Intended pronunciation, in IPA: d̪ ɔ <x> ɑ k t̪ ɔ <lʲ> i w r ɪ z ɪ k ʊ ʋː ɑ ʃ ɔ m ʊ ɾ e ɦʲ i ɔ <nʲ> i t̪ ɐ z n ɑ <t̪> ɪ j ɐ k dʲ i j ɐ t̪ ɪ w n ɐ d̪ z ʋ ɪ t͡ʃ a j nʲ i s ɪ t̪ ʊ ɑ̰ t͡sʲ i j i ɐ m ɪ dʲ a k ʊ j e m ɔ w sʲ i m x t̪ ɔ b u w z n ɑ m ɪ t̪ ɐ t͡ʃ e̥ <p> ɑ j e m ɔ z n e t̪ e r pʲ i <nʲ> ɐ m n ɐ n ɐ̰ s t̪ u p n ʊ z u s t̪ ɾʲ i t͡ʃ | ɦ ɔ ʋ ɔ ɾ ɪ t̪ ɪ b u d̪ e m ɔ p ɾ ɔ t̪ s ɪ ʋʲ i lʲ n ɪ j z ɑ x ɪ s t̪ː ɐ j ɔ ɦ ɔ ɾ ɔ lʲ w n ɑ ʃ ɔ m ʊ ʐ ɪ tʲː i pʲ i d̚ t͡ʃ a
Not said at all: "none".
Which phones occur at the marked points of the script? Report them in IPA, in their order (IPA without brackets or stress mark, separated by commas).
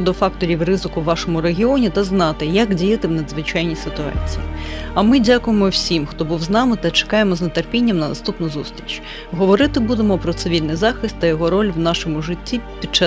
f, ɾʲ, nʲ, t̪, k, nʲː